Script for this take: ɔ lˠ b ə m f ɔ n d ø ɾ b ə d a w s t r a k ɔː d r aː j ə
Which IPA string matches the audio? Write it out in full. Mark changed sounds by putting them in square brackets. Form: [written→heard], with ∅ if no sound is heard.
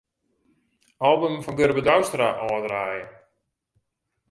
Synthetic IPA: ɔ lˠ b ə m f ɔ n [d→ɡ] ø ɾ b ə d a w s t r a [k→ʔ] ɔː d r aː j ə